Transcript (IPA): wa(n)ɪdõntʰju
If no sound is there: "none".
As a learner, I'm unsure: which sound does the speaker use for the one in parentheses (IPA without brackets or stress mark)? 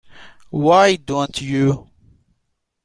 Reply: none